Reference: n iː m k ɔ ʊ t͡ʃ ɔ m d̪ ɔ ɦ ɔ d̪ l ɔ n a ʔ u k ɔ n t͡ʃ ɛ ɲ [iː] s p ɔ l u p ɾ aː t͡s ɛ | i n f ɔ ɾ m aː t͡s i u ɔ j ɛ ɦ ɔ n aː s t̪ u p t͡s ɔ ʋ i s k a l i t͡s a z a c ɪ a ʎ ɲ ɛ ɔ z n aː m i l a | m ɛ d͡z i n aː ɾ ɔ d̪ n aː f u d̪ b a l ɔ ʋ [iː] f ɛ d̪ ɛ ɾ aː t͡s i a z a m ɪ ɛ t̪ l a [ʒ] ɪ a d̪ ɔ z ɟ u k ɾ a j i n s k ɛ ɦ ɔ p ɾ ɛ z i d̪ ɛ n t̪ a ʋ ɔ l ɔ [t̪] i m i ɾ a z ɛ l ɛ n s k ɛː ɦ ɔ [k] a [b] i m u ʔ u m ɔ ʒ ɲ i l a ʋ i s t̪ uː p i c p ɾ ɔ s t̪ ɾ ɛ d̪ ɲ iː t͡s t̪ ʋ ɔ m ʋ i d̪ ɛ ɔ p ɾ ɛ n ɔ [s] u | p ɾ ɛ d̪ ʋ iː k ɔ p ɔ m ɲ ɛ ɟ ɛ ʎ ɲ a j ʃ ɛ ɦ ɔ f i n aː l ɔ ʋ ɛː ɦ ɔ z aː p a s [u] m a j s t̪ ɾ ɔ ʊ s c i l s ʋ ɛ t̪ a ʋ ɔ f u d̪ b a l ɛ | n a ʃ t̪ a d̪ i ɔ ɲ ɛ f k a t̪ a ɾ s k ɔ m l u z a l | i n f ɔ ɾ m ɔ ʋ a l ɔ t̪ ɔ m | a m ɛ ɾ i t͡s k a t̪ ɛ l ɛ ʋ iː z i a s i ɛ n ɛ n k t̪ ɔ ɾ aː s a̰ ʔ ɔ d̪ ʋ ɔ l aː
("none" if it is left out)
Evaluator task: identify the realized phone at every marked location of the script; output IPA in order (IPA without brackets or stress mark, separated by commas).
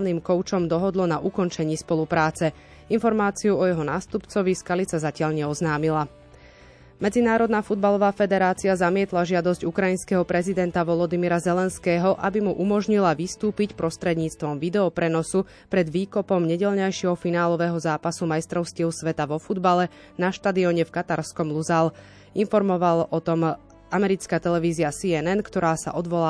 iː, aː, ʒ, d̪, ʔ, b, s, u